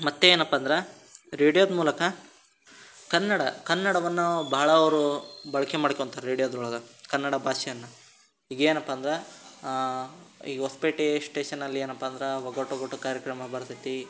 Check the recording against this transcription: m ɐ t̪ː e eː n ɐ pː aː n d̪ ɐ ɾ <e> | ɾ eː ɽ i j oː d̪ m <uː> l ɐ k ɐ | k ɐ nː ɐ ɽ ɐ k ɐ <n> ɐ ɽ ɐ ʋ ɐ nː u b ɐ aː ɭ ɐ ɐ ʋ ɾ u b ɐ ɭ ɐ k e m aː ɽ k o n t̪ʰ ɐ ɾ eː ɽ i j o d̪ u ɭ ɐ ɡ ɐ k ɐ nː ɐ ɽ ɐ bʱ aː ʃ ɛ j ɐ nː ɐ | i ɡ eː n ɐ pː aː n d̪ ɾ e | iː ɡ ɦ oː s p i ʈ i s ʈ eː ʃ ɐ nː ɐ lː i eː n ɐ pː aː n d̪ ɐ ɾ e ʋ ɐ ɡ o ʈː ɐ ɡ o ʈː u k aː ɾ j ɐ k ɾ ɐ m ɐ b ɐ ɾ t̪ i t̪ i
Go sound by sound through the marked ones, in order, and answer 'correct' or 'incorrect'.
correct, correct, incorrect: nː

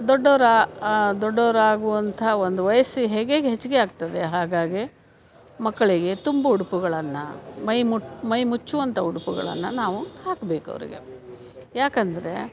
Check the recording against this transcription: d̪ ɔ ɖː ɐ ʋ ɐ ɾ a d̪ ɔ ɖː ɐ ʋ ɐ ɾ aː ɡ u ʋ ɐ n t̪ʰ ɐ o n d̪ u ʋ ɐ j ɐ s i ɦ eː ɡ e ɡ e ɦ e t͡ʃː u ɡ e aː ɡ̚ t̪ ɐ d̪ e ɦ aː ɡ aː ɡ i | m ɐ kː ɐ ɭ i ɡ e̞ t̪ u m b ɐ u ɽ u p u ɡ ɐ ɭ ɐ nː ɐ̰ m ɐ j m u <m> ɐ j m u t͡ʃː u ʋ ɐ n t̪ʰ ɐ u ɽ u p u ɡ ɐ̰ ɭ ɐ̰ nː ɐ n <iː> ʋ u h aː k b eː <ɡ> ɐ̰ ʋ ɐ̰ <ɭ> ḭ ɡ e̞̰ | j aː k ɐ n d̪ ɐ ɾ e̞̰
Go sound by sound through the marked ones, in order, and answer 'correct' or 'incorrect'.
correct, incorrect: aː, incorrect: k, incorrect: ɾ

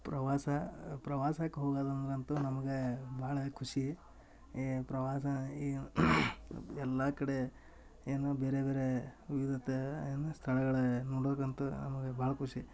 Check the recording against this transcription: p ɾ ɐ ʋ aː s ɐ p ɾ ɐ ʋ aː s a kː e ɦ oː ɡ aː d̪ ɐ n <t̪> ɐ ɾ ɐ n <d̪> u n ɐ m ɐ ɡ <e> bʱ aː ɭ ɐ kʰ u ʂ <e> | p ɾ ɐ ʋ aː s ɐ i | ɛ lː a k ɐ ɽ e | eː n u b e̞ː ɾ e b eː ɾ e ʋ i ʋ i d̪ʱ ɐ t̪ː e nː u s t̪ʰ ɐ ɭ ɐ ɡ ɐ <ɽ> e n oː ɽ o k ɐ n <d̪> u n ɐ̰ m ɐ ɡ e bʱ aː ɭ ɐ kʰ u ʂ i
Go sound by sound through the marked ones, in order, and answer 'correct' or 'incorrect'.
incorrect: d̪, incorrect: t̪, correct, incorrect: i, incorrect: ɭ, incorrect: t̪

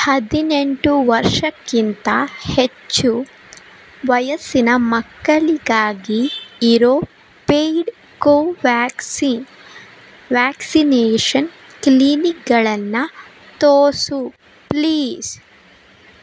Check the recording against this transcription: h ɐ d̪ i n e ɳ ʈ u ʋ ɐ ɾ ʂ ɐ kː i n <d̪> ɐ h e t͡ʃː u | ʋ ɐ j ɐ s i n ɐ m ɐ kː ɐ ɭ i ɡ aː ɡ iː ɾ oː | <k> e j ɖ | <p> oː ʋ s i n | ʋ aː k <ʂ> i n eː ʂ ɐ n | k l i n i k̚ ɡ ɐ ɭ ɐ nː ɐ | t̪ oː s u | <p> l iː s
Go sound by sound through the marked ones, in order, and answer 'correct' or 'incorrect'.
incorrect: t̪, incorrect: p, incorrect: k, incorrect: s, correct

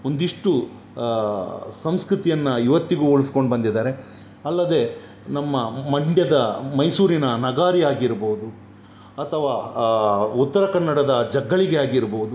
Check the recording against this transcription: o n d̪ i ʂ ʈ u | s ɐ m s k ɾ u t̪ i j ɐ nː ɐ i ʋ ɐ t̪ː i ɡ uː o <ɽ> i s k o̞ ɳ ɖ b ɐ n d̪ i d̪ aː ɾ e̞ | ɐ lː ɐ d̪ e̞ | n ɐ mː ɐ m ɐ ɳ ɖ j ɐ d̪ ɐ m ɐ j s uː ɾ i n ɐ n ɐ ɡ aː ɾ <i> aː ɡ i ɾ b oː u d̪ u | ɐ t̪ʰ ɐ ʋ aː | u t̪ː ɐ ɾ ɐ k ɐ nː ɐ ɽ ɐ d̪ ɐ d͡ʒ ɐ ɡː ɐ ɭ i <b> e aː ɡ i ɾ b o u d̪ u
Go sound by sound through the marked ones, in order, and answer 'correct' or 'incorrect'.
incorrect: ɭ, correct, incorrect: ɡ

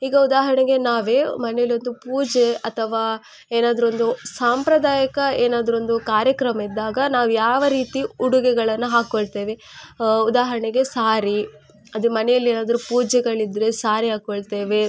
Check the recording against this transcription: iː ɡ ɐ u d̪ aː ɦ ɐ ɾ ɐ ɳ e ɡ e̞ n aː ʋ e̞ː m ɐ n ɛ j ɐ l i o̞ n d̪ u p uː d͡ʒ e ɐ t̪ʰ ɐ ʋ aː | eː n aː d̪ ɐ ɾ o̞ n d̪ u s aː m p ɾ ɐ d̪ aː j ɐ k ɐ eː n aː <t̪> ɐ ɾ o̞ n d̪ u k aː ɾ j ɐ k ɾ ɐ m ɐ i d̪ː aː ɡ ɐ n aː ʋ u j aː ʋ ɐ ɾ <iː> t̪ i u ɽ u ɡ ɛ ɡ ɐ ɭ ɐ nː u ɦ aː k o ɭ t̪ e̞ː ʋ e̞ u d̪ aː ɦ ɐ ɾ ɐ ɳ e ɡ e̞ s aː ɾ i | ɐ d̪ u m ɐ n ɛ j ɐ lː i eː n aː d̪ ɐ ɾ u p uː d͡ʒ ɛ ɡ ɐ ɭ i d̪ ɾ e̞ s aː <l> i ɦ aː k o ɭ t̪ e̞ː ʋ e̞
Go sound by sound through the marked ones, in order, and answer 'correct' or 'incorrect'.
incorrect: d̪, correct, incorrect: ɾ

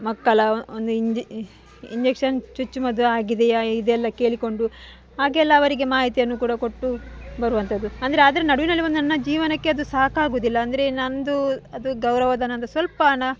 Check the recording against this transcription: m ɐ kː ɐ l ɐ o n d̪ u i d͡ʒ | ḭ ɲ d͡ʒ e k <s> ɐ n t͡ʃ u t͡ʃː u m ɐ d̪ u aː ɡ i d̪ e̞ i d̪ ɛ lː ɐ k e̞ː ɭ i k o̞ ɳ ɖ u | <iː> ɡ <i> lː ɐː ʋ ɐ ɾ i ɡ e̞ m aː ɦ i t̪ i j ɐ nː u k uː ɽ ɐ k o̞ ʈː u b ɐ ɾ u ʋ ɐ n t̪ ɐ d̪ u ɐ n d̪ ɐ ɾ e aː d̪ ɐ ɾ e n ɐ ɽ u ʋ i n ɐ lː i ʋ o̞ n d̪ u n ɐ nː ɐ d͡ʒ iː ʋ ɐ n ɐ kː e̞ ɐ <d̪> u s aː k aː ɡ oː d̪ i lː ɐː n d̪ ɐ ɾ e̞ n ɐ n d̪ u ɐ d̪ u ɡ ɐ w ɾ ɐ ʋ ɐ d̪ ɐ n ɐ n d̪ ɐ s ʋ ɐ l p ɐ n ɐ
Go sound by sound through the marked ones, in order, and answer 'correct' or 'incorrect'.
incorrect: ʂ, incorrect: aː, incorrect: ɛ, correct

